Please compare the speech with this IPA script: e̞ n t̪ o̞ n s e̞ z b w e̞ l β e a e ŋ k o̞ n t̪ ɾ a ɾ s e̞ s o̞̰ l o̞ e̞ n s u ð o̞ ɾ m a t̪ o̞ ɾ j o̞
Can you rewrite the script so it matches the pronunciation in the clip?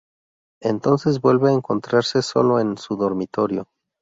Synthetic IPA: e̞ n t̪ o̞ n s e̞ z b w e̞ l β e a e ŋ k o̞ n t̪ ɾ a ɾ s e̞ s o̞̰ l o̞ e̞ n s u ð o̞ ɾ m i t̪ o̞ ɾ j o̞